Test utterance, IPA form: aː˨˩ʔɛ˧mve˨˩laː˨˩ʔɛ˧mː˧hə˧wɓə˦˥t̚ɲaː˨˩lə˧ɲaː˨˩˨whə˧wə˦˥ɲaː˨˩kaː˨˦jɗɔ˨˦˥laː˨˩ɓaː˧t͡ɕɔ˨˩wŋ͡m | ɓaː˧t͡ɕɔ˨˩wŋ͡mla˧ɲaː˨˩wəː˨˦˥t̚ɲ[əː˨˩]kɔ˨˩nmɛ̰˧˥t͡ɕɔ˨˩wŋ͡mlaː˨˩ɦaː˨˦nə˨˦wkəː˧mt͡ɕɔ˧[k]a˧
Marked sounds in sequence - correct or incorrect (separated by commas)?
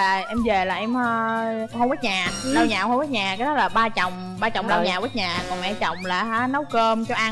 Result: incorrect, incorrect